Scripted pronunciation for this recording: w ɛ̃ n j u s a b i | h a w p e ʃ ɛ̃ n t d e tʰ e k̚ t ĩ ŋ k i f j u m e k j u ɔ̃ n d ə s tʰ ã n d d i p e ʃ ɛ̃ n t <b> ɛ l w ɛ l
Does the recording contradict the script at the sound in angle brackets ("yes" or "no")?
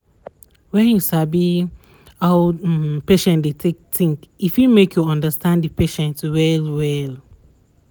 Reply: yes